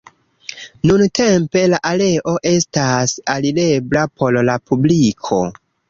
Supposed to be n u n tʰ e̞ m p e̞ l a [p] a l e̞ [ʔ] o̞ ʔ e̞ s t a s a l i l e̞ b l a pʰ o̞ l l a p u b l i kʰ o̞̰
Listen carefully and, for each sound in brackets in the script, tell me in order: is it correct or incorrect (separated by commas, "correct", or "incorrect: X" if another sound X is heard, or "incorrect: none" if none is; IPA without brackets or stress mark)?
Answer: incorrect: ʔ, correct